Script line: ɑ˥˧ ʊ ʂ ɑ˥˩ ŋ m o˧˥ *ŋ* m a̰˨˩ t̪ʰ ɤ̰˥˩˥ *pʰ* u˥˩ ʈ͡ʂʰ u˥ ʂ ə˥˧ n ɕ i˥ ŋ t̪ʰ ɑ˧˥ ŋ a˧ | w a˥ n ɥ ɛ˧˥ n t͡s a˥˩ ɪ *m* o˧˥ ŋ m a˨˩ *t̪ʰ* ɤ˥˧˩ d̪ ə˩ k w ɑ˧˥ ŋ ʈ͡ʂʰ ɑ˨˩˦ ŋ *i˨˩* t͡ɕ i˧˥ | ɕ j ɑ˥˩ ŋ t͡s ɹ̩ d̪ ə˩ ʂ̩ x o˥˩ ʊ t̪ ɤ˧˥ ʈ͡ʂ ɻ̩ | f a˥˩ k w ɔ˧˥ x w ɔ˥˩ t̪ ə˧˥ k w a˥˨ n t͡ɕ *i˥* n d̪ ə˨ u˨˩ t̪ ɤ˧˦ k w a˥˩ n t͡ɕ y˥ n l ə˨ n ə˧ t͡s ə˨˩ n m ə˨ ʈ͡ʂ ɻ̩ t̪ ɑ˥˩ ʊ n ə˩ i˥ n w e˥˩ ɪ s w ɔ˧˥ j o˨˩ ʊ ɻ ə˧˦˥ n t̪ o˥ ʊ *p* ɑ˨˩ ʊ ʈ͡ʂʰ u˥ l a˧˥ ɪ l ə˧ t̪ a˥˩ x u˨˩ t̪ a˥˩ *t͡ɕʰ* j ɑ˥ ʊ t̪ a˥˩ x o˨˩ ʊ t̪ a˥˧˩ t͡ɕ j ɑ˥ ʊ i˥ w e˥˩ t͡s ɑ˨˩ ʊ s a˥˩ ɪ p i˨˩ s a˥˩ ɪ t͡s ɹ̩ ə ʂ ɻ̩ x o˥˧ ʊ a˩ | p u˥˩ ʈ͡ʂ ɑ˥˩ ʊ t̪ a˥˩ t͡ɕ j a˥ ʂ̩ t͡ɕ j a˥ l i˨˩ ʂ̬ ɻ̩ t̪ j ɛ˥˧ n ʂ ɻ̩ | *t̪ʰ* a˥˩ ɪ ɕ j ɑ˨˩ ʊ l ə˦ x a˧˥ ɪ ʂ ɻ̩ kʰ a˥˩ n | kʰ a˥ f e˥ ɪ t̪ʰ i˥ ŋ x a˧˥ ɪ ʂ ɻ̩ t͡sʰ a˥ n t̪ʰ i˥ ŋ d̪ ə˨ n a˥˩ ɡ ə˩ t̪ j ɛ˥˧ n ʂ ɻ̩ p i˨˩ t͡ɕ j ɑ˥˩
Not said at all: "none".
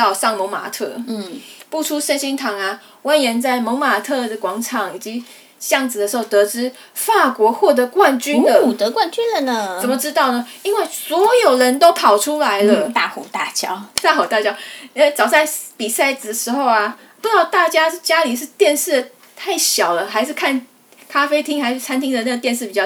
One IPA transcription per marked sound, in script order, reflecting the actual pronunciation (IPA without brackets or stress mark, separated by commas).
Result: ŋ, p, m, t̪ʰ, i˨˩, y˥, pʰ, t͡ɕ, t̪ʰ